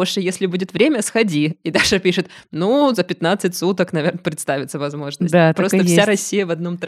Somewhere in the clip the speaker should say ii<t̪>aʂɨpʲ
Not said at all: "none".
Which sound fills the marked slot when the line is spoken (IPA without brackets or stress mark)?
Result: d̪